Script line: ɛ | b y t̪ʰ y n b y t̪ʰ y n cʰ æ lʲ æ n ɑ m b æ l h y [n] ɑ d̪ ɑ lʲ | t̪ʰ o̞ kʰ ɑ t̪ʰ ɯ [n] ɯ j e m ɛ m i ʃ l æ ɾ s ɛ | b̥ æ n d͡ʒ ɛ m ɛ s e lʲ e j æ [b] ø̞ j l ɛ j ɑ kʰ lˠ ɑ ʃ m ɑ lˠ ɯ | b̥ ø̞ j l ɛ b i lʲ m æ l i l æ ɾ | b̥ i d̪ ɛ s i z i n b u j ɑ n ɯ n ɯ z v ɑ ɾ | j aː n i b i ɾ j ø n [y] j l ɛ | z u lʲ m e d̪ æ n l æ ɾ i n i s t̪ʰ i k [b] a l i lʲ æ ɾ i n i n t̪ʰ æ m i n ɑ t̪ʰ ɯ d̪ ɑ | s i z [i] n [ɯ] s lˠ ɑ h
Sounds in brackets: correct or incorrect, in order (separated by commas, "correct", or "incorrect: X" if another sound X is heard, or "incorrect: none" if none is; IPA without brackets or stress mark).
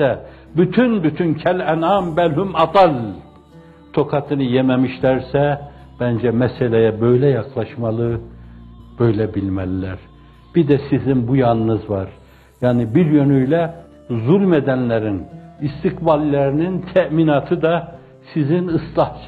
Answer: incorrect: m, correct, correct, correct, correct, correct, correct